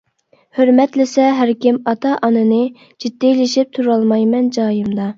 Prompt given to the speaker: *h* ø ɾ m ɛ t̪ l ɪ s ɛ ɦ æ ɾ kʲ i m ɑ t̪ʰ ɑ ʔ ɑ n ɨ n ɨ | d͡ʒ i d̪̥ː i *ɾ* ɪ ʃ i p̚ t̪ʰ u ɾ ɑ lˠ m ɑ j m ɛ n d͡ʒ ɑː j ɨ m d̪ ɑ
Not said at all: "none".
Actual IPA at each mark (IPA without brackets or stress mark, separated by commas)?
h, l